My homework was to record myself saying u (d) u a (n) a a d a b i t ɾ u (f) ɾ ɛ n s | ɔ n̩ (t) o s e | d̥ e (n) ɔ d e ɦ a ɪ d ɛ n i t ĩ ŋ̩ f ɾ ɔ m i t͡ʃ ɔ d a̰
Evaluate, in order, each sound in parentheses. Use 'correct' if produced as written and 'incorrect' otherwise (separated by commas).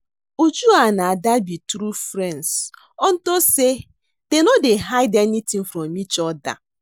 incorrect, correct, correct, correct, correct